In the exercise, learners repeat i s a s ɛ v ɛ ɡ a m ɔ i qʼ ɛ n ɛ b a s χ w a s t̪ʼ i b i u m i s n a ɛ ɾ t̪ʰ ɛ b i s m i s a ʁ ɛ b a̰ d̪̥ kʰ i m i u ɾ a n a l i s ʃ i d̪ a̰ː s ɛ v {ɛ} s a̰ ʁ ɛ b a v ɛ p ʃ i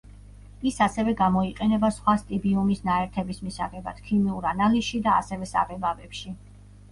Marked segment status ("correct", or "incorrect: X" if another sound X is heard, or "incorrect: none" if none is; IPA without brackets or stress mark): correct